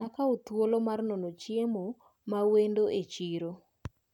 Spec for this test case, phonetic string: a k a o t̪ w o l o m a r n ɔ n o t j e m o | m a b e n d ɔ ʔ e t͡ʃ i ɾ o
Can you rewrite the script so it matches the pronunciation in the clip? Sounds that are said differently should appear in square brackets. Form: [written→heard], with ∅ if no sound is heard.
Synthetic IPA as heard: a k a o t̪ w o l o m a r n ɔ n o [t→t͡ʃ] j e m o | m a [b→w] e n d [ɔ→o] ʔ e t͡ʃ i ɾ o